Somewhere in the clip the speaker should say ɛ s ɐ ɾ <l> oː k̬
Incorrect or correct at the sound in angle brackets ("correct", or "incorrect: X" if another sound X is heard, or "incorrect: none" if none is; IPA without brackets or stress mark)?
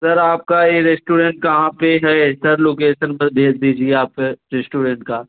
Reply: correct